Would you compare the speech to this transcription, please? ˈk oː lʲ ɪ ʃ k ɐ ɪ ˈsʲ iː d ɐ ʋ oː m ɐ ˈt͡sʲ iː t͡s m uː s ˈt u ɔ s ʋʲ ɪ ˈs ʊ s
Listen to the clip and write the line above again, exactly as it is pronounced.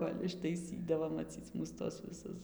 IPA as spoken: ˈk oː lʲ ɪ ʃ t ɐ ɪ ˈsʲ iː d ɐ ʋ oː m ɐ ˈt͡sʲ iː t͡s m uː s ˈt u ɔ s ʋʲ ɪ ˈs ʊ s